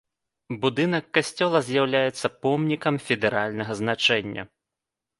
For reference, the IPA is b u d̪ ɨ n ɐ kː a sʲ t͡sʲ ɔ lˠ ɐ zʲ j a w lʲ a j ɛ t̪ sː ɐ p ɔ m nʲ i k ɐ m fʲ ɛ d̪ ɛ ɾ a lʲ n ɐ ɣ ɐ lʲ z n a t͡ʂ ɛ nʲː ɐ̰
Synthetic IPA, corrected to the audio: b u d̪ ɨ n ɐ kː a sʲ t͡sʲ ɔ lˠ ɐ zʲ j a w lʲ a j ɛ t̪ sː ɐ p ɔ m nʲ i k ɐ m fʲ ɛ d̪ ɛ ɾ a lʲ n ɐ ɣ ɐ z n a t͡ʂ ɛ nʲː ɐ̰